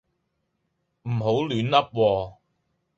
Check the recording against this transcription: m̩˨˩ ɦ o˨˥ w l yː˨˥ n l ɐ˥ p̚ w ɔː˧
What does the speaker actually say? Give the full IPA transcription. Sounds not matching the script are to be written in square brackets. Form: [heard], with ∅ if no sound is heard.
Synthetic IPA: m̩˨˩ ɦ o˨˥ w l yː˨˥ n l ɐ˥ p̚ w ɔː˧